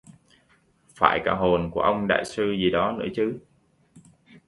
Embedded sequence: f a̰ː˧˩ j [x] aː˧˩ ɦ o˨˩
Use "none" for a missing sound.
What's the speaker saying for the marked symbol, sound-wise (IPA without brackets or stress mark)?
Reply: k